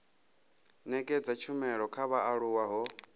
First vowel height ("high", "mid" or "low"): mid